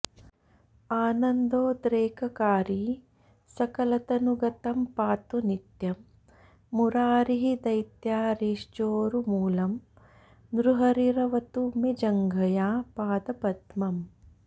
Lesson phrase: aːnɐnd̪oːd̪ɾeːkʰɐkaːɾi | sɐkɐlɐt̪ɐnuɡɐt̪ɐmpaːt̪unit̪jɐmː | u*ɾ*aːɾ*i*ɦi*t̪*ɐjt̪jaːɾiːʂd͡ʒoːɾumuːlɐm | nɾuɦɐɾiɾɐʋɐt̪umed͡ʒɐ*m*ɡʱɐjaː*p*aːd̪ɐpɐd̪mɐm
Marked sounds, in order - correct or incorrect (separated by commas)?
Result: correct, correct, incorrect, incorrect, correct